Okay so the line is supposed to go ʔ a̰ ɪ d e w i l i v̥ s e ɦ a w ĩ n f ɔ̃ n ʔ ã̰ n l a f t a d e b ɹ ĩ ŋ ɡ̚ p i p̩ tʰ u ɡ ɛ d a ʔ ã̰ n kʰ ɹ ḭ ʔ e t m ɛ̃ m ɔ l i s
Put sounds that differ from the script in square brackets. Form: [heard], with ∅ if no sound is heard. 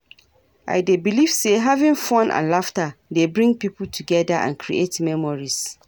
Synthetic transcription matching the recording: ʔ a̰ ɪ d e [b] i l i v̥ s e ɦ a [v] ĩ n f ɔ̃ n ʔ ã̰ n l a f t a d e b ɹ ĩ ŋ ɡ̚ p i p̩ tʰ u ɡ ɛ d a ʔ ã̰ n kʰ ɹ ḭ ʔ e t m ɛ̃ m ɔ [ɹ] i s